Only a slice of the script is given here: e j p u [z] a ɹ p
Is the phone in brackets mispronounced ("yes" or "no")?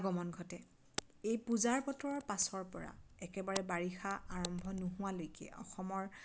no